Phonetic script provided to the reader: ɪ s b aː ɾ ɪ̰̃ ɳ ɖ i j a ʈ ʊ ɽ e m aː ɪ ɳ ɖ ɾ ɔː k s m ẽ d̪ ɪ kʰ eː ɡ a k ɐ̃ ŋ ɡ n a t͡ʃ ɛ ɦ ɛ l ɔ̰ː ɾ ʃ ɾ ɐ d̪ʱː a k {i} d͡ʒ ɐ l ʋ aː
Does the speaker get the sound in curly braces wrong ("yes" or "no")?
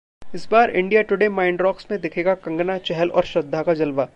yes